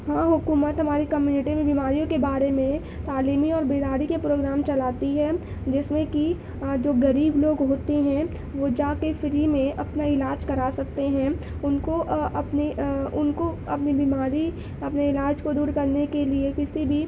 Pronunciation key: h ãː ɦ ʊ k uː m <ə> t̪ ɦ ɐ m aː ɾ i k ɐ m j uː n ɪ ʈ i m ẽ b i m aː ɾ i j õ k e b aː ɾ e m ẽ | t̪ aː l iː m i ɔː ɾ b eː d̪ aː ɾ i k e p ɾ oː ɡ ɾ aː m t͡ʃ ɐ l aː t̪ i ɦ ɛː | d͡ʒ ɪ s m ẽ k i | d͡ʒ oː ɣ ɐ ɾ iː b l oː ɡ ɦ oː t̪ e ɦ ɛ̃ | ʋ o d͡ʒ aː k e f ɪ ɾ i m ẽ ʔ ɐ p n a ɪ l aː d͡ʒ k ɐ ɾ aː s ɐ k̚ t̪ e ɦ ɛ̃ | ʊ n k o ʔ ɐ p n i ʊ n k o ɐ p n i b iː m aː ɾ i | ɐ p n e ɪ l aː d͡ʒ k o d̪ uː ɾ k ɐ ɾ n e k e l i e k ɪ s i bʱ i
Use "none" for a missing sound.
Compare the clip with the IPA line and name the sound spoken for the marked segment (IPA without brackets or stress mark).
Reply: ə